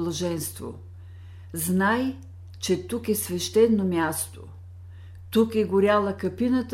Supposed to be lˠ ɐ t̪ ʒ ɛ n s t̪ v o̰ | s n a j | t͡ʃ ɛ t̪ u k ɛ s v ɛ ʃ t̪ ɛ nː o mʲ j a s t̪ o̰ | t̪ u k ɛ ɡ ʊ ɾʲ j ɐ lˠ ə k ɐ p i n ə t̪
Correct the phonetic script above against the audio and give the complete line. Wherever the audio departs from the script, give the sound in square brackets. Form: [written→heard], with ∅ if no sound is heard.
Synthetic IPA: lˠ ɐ [t̪→∅] ʒ ɛ n s t̪ v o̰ | [s→z] n a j | t͡ʃ ɛ t̪ u k ɛ s v ɛ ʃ t̪ ɛ nː o mʲ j a s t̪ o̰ | t̪ u k ɛ ɡ ʊ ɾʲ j [ɐ→a] lˠ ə k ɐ p i n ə t̪